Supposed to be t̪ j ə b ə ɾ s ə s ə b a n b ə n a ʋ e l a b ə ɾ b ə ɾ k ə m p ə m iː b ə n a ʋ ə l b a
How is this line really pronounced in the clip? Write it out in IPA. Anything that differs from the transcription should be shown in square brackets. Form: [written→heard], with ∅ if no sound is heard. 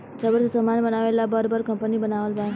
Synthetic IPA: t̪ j [ə→a] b ə ɾ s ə s ə [b→m] a n b ə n a ʋ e l a b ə ɾ b ə ɾ k ə m p ə [m→n] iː b ə n a ʋ ə l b a

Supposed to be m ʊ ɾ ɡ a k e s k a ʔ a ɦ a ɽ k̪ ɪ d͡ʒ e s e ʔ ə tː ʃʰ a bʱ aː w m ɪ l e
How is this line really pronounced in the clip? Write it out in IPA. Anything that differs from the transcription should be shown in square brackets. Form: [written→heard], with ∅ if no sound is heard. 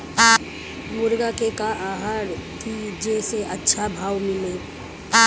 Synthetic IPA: m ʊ ɾ ɡ a k e [s→∅] k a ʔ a ɦ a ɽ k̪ [ɪ→i] d͡ʒ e s e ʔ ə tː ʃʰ a bʱ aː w m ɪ l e

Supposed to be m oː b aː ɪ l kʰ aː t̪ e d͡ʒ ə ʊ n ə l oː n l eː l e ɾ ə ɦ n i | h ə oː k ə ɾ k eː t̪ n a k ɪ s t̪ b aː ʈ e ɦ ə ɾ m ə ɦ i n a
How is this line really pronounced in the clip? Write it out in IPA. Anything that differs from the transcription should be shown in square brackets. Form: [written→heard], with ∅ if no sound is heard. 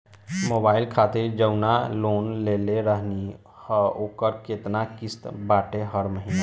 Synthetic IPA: m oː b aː ɪ l kʰ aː t̪ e d͡ʒ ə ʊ n [ə→a] l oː n l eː l e ɾ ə ɦ n i | h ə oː k ə ɾ k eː t̪ n a k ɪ s t̪ b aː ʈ e ɦ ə ɾ m ə ɦ i n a

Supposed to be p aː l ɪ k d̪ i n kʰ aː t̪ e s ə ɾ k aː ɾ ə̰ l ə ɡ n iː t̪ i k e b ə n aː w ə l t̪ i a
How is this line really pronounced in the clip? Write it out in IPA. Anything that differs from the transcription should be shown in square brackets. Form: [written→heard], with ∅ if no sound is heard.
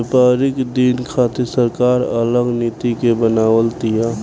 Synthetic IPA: p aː [l→ɾ] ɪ k d̪ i n kʰ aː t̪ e s ə ɾ k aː ɾ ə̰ l ə ɡ n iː t̪ i k e b ə n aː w ə l t̪ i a

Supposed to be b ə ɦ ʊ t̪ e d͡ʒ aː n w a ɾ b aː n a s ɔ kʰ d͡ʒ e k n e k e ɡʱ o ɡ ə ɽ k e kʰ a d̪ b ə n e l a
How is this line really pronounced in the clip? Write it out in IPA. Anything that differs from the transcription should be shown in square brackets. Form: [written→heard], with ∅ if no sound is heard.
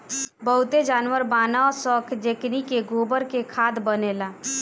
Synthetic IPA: b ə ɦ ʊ t̪ e d͡ʒ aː n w [a→ə] ɾ b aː n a s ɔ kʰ d͡ʒ e k n [e→i] k e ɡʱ o [ɡ→b] ə [ɽ→ɾ] k e kʰ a d̪ b ə n e l a

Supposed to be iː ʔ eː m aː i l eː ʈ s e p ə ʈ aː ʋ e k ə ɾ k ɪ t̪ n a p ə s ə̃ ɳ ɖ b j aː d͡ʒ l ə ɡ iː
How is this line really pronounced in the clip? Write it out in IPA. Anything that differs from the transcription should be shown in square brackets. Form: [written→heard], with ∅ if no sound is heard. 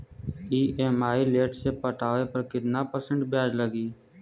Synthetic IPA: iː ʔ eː m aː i l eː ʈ s e p ə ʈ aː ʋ e [k→p] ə ɾ k ɪ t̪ n a p ə s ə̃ ɳ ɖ b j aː d͡ʒ l ə ɡ iː

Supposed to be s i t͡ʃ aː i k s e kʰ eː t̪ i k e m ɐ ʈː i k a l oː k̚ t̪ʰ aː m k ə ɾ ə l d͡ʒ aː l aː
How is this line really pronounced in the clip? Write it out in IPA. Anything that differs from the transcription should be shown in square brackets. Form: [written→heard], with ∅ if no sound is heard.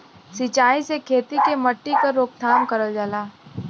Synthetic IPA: s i t͡ʃ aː i [k→∅] s e kʰ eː t̪ i k e m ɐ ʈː i k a [l→ɾ] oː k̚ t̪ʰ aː m k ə ɾ ə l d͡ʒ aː l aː

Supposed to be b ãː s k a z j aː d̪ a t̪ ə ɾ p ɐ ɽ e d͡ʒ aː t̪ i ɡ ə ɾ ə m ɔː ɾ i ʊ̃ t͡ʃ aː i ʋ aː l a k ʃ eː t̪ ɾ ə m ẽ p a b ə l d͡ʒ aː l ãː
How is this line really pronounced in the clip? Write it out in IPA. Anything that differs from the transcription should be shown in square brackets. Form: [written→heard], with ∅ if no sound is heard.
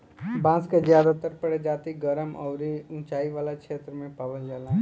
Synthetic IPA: b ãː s k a z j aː d̪ a t̪ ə ɾ p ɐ ɽ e d͡ʒ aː t̪ i ɡ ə ɾ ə m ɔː ɾ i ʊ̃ t͡ʃ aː i ʋ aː l a k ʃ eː t̪ ɾ ə m ẽ p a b ə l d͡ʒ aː l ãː

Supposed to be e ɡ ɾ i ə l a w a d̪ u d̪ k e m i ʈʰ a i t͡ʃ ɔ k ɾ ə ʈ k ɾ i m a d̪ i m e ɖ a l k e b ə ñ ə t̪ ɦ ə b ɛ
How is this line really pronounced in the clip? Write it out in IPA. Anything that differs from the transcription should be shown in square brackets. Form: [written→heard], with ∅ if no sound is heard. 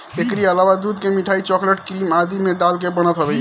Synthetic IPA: e [ɡ→k] ɾ i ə l a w a d̪ u d̪ k e m i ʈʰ a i t͡ʃ ɔ k [ɾ→l] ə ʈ k ɾ i m a d̪ i m e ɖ a l k e b ə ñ ə t̪ ɦ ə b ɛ

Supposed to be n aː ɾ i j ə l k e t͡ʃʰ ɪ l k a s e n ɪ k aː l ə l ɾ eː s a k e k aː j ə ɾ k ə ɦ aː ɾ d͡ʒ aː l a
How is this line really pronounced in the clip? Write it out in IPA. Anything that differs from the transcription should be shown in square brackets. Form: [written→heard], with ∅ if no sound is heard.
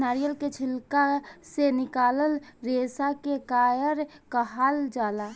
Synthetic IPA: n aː ɾ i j ə l k e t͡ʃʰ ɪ l k a s e n ɪ k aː l ə l ɾ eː s a k e k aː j ə ɾ k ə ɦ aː [ɾ→l] d͡ʒ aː l a

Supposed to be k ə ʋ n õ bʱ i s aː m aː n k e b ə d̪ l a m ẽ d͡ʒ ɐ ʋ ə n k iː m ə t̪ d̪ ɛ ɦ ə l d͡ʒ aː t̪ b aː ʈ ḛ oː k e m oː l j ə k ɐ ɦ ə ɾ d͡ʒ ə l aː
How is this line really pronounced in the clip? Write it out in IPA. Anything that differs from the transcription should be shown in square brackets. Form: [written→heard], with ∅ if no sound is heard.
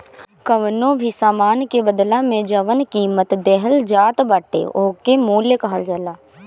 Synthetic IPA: k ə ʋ n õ bʱ i s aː m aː n k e b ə d̪ l a m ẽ d͡ʒ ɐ ʋ ə n k iː m ə t̪ d̪ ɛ ɦ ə l d͡ʒ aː t̪ b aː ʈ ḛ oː k e m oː l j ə k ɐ ɦ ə [ɾ→l] d͡ʒ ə l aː

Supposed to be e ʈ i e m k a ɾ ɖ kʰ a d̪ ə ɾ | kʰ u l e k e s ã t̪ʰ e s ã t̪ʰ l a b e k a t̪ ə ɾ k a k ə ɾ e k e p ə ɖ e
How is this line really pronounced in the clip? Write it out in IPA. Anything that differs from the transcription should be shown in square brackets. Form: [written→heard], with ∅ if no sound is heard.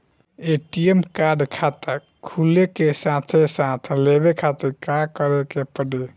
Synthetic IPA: e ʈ i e m k a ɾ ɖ kʰ a [d̪→t̪] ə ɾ | kʰ u l e k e s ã t̪ʰ e s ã t̪ʰ l [a→e] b e [k→kʰ] a t̪ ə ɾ k a k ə ɾ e k e p ə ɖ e

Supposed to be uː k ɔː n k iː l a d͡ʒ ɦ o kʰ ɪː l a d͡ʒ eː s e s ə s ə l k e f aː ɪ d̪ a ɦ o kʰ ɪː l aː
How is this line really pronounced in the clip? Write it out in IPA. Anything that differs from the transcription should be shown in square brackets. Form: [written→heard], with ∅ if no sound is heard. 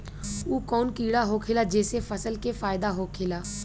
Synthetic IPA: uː k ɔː n k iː [l→ɽ] a [d͡ʒ→∅] ɦ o kʰ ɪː l a d͡ʒ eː s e [s→f] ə s ə l k e f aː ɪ d̪ a ɦ o kʰ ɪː l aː

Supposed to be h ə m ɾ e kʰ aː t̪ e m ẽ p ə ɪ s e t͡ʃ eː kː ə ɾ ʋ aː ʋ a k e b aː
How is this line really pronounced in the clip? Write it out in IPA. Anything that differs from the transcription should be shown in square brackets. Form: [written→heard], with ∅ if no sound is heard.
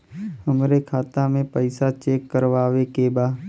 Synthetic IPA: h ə m ɾ e kʰ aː t̪ [e→a] m ẽ p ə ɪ s [e→a] t͡ʃ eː kː ə ɾ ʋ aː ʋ [a→e] k e b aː

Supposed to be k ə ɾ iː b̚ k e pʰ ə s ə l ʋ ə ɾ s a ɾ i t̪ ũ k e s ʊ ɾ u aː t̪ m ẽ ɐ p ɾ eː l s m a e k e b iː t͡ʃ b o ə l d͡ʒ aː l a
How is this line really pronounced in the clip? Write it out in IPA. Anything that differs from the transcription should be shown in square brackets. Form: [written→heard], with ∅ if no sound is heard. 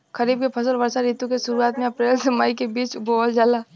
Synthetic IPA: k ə ɾ iː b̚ k e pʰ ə s ə l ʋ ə ɾ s a ɾ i t̪ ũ k e s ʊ ɾ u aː t̪ m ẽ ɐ p ɾ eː l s m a [e→i] k e b iː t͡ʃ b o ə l d͡ʒ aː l a

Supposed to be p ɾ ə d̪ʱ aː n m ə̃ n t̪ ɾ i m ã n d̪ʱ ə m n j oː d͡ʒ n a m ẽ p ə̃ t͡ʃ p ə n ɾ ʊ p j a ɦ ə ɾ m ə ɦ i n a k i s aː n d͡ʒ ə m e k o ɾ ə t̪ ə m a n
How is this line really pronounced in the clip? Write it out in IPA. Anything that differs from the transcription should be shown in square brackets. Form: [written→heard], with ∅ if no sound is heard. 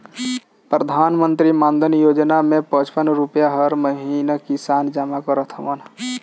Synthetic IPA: p ɾ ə d̪ʱ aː n m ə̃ n t̪ ɾ i m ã n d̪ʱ ə [m→∅] n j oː d͡ʒ n a m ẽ p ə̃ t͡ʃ p ə n ɾ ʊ p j a ɦ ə ɾ m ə ɦ i n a k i s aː n d͡ʒ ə m [e→a] k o ɾ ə [t̪→t̪ʰ] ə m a n

